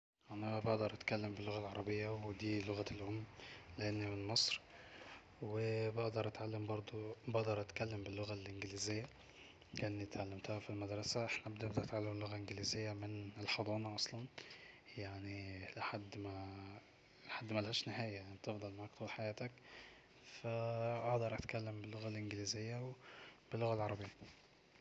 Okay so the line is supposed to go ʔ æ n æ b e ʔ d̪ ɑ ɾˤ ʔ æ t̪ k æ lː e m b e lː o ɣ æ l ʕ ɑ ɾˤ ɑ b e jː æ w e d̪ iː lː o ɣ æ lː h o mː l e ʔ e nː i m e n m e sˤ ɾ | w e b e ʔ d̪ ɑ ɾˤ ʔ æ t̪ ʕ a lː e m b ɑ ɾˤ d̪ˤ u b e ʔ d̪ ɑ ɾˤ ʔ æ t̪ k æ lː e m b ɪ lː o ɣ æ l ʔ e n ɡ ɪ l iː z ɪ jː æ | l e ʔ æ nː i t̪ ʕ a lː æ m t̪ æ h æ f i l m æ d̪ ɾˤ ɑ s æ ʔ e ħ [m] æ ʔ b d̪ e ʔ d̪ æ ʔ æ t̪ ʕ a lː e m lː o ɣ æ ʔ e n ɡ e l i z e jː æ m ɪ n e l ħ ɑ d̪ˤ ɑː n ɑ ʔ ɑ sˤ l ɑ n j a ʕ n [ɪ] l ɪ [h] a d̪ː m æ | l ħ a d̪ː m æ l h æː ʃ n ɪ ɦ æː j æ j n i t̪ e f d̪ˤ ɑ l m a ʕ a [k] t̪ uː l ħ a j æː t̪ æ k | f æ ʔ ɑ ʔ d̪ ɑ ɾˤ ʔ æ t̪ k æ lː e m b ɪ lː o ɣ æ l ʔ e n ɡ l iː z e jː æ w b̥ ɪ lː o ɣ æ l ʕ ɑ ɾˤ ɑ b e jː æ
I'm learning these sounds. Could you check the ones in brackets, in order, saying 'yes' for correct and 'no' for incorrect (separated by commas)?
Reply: no, no, no, yes